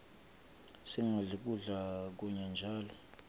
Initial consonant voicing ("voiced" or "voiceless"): voiceless